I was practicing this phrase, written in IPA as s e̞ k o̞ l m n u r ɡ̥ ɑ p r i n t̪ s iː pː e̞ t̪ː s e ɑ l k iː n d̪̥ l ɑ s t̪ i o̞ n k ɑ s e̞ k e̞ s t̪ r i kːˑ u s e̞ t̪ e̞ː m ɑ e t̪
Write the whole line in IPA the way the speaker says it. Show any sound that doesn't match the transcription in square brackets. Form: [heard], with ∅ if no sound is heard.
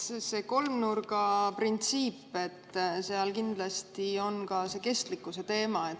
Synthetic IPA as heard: s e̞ k o̞ l m n u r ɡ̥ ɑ p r i n t̪ s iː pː e̞ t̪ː s e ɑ l k [i] n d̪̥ l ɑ s t̪ i o̞ n k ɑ s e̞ k e̞ s t̪ [l] i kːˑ u s e̞ t̪ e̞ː m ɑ e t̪